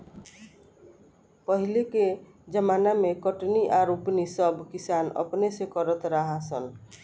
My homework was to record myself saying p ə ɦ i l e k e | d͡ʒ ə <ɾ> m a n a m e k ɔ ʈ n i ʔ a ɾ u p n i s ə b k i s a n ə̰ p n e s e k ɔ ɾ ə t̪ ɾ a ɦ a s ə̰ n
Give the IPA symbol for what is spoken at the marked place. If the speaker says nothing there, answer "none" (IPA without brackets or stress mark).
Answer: none